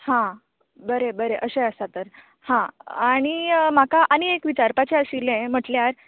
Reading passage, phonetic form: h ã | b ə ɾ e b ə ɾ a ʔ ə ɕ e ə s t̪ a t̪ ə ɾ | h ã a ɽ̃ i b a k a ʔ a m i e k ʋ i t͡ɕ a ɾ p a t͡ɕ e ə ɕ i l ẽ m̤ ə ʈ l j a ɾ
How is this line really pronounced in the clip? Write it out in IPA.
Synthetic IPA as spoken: h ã | b ə ɾ e b ə ɾ e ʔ ə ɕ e ə s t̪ a t̪ ə ɾ | h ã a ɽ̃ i m a k a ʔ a n i e k ʋ i t͡ɕ a ɾ p a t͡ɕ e ə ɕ i l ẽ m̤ ə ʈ l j a ɾ